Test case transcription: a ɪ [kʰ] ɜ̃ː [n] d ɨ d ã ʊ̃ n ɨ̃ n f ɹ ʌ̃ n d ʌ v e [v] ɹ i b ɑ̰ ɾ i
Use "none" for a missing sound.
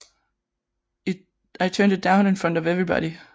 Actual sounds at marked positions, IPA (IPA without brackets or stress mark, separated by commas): tʰ, n, v